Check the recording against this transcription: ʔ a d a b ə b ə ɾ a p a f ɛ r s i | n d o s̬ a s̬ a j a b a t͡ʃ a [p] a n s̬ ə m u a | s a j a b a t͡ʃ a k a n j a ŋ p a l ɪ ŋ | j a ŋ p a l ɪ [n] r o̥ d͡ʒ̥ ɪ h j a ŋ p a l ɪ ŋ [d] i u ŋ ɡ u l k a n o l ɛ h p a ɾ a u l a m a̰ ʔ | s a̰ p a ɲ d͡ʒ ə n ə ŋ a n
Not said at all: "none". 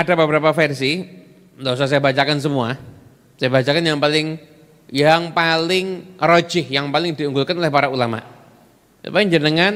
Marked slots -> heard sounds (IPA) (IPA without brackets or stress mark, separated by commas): k, ŋ, d